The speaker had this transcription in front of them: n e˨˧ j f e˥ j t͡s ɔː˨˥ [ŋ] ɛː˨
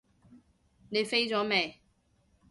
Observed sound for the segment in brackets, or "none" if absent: m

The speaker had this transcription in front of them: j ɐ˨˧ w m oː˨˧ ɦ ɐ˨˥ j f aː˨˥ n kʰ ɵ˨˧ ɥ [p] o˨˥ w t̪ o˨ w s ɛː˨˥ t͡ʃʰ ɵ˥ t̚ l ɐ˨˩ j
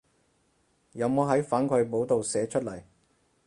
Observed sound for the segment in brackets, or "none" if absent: p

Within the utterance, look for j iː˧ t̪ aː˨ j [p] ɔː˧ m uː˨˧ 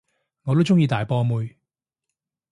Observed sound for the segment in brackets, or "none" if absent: p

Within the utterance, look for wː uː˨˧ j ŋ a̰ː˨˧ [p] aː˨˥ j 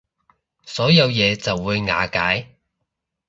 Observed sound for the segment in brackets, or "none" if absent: k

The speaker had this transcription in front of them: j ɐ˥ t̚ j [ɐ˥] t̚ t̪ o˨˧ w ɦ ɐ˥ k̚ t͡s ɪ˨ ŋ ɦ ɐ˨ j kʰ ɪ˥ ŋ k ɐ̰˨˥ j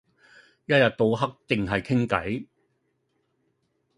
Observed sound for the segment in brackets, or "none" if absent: ɐ˨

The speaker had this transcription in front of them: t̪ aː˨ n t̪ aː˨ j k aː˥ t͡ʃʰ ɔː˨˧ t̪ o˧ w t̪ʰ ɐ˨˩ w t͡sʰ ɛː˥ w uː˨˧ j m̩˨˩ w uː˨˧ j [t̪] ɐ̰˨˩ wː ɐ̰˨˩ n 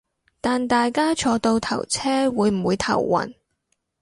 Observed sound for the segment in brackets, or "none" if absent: t̪ʰ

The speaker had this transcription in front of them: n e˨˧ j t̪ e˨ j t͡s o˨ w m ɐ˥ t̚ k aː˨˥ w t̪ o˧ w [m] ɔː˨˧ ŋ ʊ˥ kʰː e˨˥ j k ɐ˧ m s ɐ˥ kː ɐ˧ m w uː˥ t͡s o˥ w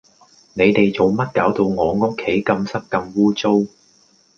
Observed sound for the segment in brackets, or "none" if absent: ŋ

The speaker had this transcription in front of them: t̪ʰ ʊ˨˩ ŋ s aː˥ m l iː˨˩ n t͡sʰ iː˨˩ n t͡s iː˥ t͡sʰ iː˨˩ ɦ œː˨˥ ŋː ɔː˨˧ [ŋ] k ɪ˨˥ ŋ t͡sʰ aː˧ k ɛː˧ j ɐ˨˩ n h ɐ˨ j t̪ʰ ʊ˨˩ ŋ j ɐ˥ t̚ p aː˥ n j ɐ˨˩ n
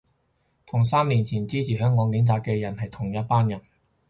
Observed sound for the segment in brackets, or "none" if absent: ŋ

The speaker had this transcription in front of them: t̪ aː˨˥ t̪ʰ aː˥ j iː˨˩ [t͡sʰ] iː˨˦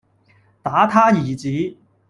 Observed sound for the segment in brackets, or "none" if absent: t͡s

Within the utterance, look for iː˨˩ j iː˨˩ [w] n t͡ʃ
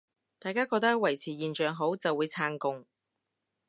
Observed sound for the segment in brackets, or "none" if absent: none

